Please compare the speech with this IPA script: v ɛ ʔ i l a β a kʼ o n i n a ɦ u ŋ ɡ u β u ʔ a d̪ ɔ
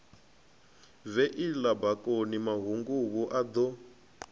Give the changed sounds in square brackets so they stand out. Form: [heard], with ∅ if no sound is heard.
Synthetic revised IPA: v ɛ ʔ i l a [b] a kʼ o n i [m] a ɦ u ŋ ɡ u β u ʔ a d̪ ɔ